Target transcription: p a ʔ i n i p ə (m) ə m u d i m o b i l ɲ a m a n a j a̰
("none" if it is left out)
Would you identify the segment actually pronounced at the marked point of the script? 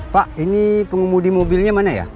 ŋ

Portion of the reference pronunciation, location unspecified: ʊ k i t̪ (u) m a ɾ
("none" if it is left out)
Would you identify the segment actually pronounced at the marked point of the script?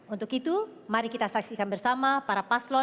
u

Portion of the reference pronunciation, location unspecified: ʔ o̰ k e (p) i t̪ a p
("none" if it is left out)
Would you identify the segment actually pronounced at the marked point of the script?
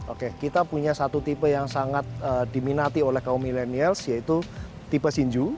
k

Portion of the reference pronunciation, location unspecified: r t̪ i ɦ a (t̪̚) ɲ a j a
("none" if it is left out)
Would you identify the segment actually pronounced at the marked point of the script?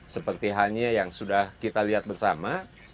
none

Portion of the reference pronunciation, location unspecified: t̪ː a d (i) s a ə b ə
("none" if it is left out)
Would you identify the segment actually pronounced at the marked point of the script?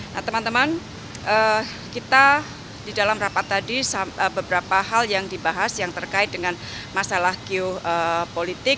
i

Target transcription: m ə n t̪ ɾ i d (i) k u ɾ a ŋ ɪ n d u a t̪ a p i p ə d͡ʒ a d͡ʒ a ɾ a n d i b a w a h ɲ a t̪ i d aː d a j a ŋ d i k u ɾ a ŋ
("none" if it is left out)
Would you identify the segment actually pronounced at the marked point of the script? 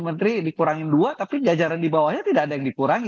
i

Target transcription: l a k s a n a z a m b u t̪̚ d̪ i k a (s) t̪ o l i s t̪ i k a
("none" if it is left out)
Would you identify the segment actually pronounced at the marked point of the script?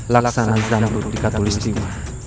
none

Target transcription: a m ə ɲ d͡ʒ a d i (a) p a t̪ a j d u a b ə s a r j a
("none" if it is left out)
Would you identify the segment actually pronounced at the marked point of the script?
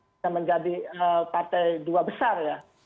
ə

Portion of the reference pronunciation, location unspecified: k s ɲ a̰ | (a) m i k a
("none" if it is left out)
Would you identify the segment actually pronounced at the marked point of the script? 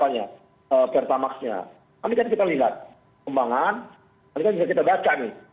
a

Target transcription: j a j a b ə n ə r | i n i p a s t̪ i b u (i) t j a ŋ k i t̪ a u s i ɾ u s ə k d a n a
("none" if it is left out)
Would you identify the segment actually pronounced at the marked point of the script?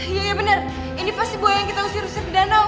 a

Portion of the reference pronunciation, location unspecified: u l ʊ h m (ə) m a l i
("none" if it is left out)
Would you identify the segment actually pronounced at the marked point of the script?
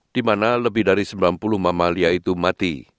a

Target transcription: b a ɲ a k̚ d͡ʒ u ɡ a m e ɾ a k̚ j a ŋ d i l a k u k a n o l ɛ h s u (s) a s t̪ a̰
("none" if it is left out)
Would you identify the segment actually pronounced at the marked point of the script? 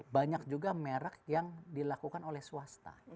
none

